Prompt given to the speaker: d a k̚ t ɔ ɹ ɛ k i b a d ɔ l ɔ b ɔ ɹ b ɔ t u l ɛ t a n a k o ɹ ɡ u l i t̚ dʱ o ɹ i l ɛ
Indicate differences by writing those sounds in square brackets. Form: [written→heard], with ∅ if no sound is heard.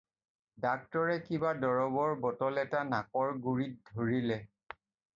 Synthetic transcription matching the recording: d a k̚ t ɔ ɹ ɛ k i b a d ɔ [l→ɹ] ɔ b ɔ ɹ b ɔ t [u→ɔ] l ɛ t a n a k [o→ɔ] ɹ ɡ u [l→ɹ] i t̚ dʱ o ɹ i l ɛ